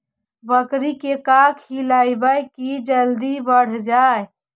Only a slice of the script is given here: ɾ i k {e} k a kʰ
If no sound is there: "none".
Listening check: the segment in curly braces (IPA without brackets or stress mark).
e